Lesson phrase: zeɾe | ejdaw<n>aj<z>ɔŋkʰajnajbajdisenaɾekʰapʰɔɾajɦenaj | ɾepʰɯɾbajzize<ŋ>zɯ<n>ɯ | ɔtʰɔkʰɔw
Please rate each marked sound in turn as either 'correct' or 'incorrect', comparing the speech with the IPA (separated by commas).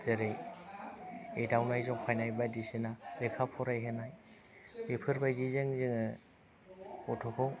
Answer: correct, correct, correct, incorrect